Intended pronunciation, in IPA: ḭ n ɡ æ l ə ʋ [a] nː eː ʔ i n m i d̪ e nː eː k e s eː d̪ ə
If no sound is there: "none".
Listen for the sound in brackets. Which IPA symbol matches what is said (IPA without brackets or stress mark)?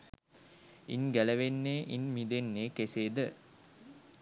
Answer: e